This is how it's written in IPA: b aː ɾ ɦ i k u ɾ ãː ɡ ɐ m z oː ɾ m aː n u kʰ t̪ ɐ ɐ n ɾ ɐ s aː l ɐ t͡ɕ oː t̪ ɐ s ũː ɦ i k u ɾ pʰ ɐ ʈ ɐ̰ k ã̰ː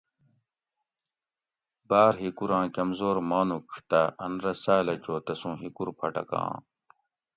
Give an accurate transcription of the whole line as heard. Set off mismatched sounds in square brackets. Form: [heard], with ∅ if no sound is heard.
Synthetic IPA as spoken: b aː ɾ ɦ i k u ɾ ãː [k] ɐ m z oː ɾ m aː n u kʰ t̪ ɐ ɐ n ɾ ɐ s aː l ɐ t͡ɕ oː t̪ ɐ s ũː ɦ i k u ɾ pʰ ɐ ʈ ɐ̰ k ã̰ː

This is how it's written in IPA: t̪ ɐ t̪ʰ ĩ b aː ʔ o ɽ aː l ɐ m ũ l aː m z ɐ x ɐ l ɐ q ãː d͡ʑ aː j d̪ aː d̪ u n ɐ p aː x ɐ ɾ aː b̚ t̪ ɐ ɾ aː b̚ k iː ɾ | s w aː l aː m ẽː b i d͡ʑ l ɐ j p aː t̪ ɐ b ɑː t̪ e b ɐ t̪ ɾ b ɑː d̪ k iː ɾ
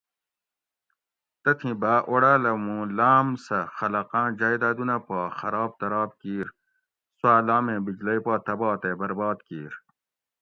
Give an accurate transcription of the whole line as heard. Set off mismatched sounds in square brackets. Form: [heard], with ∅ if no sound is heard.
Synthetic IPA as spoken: t̪ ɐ t̪ʰ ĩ b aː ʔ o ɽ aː l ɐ m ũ l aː m [s] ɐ x ɐ l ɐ q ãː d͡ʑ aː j d̪ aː d̪ u n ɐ p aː x ɐ ɾ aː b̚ t̪ ɐ ɾ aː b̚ k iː ɾ | s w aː l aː m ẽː b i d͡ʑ l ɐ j p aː t̪ ɐ b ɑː t̪ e b ɐ [∅] ɾ b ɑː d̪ k iː ɾ

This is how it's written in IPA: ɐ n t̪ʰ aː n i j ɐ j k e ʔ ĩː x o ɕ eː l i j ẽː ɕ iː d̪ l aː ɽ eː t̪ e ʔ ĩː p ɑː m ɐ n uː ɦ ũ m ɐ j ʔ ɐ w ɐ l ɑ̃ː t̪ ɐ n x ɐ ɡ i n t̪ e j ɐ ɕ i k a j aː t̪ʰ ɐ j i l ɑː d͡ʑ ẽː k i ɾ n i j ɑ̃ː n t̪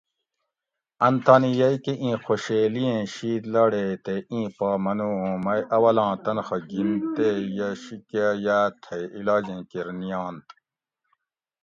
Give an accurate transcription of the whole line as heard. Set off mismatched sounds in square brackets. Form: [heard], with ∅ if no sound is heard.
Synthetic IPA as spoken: ɐ n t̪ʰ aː n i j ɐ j k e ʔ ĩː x o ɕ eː l i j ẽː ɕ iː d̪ l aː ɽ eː t̪ e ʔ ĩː p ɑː m ɐ n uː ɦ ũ m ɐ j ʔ ɐ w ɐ l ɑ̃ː t̪ ɐ n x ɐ ɡ i n t̪ e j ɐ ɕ i k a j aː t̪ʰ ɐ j i l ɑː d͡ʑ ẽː k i ɾ n i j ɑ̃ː n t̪

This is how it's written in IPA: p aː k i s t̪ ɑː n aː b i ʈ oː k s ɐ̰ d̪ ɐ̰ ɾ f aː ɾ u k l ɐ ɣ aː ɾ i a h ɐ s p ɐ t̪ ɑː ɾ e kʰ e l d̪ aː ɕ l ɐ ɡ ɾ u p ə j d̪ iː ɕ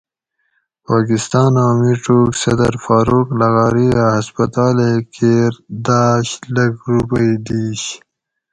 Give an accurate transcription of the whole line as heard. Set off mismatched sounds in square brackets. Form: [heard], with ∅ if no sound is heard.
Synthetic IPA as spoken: p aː k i s t̪ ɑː n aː [m] i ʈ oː k s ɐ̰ d̪ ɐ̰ ɾ f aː ɾ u k l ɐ ɣ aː ɾ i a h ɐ s p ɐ t̪ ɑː [l] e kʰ e [ɾ] d̪ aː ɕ l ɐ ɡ ɾ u p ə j d̪ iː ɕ

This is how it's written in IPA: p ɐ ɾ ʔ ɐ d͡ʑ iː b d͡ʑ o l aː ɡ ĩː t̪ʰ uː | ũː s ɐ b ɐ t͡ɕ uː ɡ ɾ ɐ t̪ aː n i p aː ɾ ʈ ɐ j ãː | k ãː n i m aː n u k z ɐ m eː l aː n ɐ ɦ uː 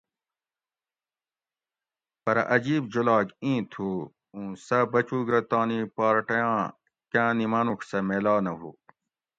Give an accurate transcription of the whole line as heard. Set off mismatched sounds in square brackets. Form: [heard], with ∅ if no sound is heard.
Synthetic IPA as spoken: p ɐ ɾ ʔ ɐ d͡ʑ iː b d͡ʑ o l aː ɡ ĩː t̪ʰ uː | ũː s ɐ b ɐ t͡ɕ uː ɡ ɾ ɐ t̪ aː n i p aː ɾ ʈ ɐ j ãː | k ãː n i m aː n u k [s] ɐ m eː l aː n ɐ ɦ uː

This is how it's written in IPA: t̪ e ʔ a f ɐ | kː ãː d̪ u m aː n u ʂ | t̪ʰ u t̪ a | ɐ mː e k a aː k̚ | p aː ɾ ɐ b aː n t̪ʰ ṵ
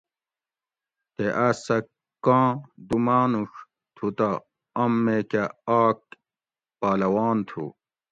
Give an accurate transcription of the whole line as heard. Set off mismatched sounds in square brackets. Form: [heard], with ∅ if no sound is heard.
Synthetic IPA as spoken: t̪ e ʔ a [s] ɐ | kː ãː d̪ u m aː n u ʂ | t̪ʰ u t̪ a | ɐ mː e k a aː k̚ | p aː [l] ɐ [w] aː n t̪ʰ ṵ

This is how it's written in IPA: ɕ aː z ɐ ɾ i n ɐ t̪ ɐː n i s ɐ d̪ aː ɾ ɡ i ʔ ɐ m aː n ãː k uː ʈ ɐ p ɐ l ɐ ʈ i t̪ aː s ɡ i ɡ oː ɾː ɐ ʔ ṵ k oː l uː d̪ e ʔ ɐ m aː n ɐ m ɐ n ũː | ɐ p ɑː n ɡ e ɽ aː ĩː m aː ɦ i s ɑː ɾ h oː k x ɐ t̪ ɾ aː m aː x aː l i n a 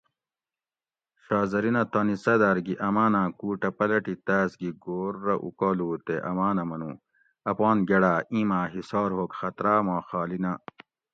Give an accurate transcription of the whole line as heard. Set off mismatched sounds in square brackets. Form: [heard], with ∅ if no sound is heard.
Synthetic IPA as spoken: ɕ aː z ɐ ɾ i n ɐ t̪ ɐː n i s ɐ d̪ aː ɾ ɡ i ʔ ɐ m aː n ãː k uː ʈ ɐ p ɐ l ɐ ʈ i t̪ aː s ɡ i ɡ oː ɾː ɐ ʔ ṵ k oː l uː [t̪] e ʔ ɐ m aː n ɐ m ɐ n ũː | ɐ p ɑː n ɡ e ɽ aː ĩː m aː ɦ i s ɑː ɾ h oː k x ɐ t̪ ɾ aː m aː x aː l i n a

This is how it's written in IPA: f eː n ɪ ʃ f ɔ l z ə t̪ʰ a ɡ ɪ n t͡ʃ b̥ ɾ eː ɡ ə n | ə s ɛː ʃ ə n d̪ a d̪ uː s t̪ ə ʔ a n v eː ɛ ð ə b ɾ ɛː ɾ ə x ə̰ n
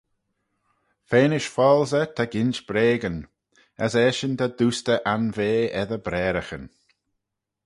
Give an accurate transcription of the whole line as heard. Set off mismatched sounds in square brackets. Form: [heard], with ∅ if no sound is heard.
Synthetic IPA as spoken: f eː n ɪ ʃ f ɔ l z ə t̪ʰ a ɡ ɪ n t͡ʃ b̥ ɾ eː ɡ ə n | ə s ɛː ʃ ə n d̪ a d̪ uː s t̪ ə ʔ a n v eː ɛ ð ə b ɾ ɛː ɾ ə x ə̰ n

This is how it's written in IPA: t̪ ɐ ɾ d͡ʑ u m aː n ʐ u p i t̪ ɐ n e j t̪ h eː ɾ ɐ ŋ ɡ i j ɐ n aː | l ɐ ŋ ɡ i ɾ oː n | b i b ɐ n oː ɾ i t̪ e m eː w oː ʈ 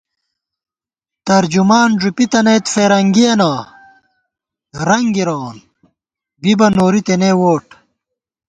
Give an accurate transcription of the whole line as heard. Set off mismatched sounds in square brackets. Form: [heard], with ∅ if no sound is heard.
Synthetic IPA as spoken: t̪ ɐ ɾ d͡ʑ u m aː n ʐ u p i t̪ ɐ n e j t̪ [f] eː ɾ ɐ ŋ ɡ i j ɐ n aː | [ɾ] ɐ ŋ ɡ i ɾ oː n | b i b ɐ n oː ɾ i t̪ e [n] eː w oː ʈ

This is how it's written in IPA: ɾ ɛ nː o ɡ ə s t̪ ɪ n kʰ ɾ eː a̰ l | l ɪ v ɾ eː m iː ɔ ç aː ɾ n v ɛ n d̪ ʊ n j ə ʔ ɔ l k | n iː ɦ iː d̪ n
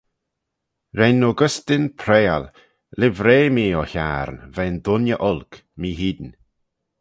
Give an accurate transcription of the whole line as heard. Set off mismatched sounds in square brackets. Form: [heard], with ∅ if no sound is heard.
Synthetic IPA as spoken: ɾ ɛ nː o ɡ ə s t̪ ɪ n [pʰ] ɾ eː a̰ l | l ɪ v ɾ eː m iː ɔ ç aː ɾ n v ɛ n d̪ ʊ n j ə ʔ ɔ l k | [m] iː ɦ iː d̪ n

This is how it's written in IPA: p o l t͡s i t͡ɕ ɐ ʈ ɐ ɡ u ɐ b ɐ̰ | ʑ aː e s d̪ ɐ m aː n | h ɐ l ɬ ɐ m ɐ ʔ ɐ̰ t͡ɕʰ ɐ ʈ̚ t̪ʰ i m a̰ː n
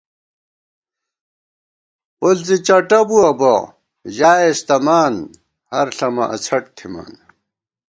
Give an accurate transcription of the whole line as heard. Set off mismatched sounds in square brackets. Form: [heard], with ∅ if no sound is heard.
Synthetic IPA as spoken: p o l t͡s i t͡ɕ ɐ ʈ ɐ [b] u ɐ b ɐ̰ | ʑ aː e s [t̪] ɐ m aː n | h ɐ [ɾ] ɬ ɐ m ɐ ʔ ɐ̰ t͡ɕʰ ɐ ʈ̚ t̪ʰ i m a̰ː n

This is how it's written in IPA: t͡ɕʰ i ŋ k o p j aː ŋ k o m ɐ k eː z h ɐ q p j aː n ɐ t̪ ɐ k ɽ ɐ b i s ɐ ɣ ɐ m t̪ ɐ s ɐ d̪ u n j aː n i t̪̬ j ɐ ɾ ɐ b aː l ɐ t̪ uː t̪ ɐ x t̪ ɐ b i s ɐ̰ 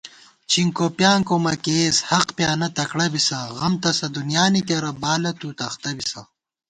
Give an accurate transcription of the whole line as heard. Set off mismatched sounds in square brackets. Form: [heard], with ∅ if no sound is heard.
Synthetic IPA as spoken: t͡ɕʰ i ŋ k o p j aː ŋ k o m ɐ k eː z h ɐ q p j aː n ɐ t̪ ɐ k ɽ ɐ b i s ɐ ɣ ɐ m t̪ ɐ s ɐ d̪ u n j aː n i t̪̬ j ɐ ɾ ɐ b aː l ɐ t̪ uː t̪ ɐ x t̪ ɐ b i s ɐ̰

